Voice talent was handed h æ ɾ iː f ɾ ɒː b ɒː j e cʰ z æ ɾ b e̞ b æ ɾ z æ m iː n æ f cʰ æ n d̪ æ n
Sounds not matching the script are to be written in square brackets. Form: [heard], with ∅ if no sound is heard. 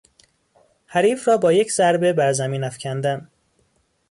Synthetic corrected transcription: h æ ɾ iː f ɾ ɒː b ɒː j e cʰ z æ ɾ b e̞ b æ ɾ z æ m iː n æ f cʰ æ n d̪ æ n